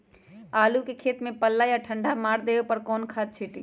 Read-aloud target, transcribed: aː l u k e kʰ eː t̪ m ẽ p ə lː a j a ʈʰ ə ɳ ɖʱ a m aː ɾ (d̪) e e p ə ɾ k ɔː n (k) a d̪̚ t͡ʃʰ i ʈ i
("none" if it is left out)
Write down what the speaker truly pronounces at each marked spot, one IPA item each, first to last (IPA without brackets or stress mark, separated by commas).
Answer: d̪, kʰ